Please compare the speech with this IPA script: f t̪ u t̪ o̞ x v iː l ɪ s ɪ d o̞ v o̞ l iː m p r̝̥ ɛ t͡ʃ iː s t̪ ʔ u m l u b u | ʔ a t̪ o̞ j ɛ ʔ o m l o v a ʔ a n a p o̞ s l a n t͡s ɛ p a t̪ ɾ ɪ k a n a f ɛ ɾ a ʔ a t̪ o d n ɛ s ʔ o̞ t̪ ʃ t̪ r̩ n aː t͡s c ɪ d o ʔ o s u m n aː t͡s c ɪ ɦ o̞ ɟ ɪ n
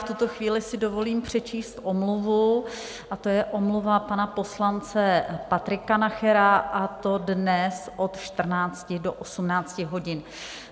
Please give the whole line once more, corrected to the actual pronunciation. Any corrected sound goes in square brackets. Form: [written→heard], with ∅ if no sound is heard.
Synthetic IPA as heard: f t̪ u t̪ o̞ x v iː l ɪ s ɪ d o̞ v o̞ l iː m p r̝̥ ɛ t͡ʃ iː s t̪ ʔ [u→o] m l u [b→v] u | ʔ a t̪ o̞ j ɛ ʔ o m l [o→u] v a [ʔ→p] a n a p o̞ s l a n t͡s ɛ p a t̪ ɾ ɪ k a n a [f→x] ɛ ɾ a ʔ a t̪ o d n ɛ s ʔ o̞ t̪ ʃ t̪ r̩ n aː t͡s c ɪ d o ʔ o s u m n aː t͡s c ɪ ɦ o̞ ɟ ɪ n